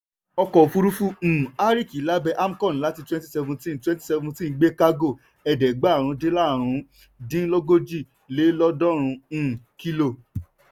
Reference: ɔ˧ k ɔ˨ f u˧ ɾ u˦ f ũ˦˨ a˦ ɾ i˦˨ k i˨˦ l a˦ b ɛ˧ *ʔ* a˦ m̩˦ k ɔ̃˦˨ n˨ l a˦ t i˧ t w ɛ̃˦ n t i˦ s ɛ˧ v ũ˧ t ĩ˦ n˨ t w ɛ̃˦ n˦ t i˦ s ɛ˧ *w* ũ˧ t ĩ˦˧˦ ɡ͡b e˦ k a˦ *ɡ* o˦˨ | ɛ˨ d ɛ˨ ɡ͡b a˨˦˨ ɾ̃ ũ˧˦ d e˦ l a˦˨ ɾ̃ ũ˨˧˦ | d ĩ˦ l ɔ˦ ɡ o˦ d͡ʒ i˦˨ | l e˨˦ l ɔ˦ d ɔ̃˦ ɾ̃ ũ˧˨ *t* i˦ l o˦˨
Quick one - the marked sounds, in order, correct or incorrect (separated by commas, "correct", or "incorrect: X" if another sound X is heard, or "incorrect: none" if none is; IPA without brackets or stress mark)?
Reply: correct, incorrect: v, correct, incorrect: k